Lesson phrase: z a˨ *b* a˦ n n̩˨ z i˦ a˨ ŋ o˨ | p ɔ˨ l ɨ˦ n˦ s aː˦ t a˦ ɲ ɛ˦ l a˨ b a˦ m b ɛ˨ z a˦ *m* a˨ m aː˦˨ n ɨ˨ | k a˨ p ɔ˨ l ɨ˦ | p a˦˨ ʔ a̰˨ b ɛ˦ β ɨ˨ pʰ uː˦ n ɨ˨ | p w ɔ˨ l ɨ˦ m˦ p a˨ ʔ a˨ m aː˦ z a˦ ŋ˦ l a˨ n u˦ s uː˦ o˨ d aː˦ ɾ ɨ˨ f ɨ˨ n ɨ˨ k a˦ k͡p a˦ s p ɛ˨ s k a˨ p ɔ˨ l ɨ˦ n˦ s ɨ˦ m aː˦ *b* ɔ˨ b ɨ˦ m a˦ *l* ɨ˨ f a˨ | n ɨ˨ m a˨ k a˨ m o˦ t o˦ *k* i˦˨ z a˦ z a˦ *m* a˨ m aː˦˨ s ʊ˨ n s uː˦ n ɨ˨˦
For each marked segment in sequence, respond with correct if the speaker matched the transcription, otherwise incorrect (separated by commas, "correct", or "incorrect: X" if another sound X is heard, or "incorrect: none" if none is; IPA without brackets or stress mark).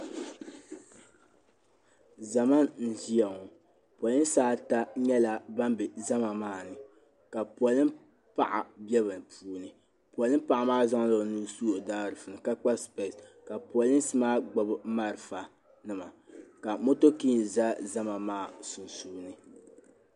incorrect: m, correct, incorrect: ɡ͡b, incorrect: ɾ, correct, correct